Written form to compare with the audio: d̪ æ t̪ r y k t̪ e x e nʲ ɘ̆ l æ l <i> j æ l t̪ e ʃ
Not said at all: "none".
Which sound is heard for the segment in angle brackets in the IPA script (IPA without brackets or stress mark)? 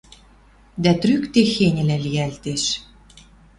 i